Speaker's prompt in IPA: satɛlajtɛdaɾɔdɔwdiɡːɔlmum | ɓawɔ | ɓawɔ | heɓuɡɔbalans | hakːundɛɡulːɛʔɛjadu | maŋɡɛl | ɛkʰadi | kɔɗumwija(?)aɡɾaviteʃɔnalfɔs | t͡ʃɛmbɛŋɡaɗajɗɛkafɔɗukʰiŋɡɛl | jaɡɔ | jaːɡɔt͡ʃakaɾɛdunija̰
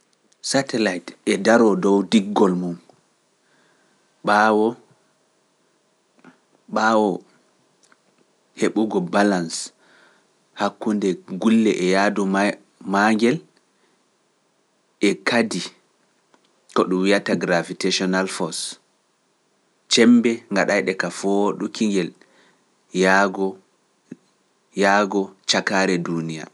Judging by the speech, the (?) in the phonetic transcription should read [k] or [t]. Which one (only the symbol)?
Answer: t